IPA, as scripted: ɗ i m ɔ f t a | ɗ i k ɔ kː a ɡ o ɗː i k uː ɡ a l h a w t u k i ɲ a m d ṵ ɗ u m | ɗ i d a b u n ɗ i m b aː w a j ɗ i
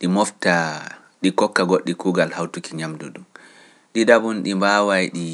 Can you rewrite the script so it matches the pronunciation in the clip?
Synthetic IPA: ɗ i m ɔ f t a | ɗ i k ɔ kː a ɡ o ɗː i k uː ɡ a l h a w t u k i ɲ a m d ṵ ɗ u m | ɗ i d a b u n ɗ i m b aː w a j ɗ i